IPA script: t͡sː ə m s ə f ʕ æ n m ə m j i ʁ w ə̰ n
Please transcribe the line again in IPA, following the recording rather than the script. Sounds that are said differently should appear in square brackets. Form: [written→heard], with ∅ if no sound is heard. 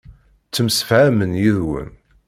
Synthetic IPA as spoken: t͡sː ə m s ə f ʕ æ [n→∅] m ə [m→n] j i [ʁ→ð] w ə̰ n